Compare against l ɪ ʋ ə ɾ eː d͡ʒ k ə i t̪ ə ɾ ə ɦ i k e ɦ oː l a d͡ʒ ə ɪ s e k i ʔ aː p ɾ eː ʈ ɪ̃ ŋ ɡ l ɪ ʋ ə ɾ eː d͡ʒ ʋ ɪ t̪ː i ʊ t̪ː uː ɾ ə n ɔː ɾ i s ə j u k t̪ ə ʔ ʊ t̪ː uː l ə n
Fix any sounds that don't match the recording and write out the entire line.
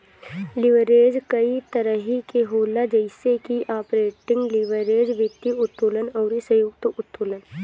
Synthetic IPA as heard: l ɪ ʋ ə ɾ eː d͡ʒ k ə i t̪ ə ɾ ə ɦ i k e ɦ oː l a d͡ʒ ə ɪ s e k i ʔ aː p ɾ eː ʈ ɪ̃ ŋ ɡ l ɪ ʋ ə ɾ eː d͡ʒ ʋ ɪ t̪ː i ʊ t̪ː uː l ə n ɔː ɾ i s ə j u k t̪ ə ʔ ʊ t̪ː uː l ə n